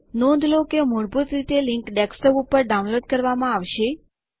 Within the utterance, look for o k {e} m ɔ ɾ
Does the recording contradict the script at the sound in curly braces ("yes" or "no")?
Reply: no